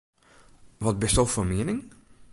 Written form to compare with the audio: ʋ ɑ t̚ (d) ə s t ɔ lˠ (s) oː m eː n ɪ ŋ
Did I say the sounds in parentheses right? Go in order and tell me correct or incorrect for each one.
incorrect: b, incorrect: f

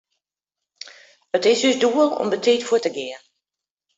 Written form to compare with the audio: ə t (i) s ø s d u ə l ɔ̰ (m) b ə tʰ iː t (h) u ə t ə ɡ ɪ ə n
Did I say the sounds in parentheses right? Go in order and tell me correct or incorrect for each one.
incorrect: ɪ, correct, incorrect: f

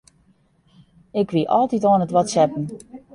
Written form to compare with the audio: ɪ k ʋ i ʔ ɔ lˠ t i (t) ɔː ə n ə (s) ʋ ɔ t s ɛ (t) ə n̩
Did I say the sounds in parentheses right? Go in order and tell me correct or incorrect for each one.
correct, incorrect: t, incorrect: p

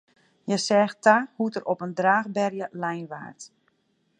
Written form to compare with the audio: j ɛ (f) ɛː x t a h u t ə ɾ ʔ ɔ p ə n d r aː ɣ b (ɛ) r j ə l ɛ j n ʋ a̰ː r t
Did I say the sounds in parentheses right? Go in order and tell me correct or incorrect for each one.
incorrect: s, correct

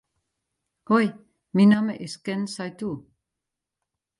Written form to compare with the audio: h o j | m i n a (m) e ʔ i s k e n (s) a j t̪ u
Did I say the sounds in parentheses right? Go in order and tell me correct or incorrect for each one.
correct, correct

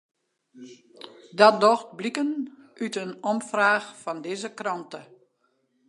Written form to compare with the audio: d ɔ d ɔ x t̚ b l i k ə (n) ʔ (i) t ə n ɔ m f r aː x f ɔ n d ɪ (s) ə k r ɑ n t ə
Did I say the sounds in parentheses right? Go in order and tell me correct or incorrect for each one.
correct, incorrect: y, incorrect: z

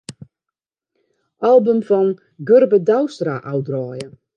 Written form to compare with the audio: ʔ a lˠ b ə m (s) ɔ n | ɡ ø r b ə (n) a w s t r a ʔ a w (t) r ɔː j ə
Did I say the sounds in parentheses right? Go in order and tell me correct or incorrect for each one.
incorrect: f, incorrect: d, incorrect: d

